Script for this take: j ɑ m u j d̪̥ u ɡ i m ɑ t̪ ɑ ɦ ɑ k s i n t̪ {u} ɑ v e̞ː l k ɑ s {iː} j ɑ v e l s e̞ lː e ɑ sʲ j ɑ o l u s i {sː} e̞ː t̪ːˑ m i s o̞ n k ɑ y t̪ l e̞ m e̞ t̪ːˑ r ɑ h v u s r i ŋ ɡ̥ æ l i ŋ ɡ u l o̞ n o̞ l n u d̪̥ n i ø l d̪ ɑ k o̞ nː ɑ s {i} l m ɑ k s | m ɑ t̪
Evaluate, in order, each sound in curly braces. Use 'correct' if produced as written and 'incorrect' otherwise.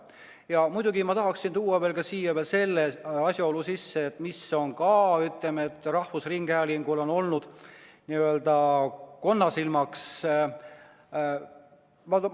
incorrect: uː, correct, correct, correct

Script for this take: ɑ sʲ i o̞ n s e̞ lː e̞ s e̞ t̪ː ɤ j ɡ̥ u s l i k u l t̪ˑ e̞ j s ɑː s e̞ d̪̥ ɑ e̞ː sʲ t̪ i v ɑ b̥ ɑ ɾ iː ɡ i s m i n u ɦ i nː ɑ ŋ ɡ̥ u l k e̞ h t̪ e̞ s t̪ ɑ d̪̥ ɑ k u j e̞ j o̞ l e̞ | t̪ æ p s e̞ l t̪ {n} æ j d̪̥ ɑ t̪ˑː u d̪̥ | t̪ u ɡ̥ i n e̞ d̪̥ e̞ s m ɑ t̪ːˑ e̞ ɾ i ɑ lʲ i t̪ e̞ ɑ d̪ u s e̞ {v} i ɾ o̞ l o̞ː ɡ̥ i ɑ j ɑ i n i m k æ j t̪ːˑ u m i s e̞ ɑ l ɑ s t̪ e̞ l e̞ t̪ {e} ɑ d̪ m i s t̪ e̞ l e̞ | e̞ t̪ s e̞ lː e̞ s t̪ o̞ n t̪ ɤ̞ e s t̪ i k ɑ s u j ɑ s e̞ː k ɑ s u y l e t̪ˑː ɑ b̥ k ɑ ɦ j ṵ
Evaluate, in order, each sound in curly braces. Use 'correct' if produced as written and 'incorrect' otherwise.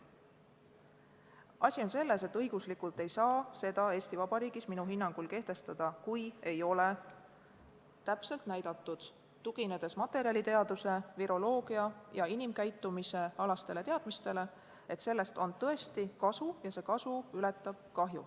correct, correct, correct

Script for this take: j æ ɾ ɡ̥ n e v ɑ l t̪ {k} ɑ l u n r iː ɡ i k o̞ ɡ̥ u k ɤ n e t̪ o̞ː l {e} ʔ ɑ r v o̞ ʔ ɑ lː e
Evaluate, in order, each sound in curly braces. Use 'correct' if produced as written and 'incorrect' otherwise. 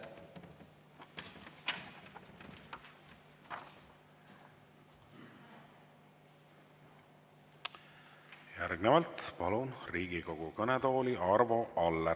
incorrect: p, incorrect: i

